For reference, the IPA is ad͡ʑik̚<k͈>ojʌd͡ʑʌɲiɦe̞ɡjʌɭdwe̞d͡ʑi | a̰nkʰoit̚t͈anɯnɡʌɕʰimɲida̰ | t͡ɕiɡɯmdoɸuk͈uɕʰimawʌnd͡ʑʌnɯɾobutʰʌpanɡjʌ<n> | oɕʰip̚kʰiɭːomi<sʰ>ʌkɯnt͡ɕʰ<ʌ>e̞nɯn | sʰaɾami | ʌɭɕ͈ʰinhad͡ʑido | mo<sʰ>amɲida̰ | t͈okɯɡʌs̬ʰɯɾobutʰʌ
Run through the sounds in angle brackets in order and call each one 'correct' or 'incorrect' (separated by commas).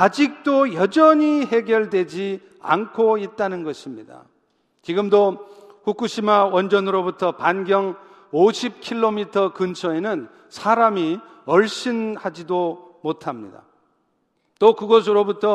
incorrect, incorrect, incorrect, correct, incorrect